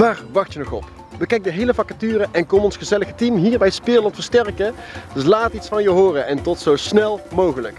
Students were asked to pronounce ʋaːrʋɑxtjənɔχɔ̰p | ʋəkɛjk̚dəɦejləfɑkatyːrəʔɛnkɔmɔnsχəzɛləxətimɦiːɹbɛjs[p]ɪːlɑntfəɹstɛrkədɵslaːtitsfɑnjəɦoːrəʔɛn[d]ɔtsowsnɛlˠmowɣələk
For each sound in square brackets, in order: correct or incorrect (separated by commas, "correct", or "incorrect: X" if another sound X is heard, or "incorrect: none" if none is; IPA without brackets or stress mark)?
correct, incorrect: t